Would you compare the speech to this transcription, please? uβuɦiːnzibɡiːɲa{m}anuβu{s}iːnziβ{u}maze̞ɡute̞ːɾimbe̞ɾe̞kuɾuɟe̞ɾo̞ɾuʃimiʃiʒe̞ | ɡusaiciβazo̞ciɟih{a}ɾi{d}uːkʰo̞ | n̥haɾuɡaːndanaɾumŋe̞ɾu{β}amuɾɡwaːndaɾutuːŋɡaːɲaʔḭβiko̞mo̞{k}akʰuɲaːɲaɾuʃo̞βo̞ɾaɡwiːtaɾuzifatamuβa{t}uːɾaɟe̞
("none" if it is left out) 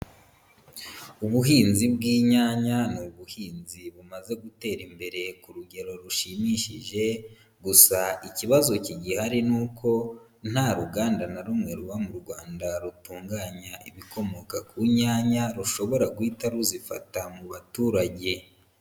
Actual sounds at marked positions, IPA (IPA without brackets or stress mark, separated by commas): ɲ, h, u, a, n, β, k, t